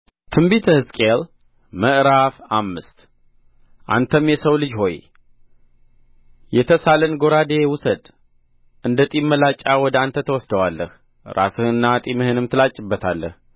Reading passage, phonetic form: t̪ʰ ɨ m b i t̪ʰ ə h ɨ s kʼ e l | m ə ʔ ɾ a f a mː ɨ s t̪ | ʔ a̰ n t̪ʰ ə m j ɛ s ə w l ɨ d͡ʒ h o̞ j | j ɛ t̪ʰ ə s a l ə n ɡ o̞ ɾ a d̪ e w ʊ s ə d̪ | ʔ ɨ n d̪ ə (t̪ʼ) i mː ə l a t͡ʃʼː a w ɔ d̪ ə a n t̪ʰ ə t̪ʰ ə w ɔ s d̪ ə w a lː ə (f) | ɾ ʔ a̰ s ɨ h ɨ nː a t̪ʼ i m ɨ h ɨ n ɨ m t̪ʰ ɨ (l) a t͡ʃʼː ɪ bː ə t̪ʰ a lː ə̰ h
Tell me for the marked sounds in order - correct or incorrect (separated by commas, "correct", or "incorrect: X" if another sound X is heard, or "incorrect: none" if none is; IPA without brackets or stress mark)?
correct, incorrect: h, correct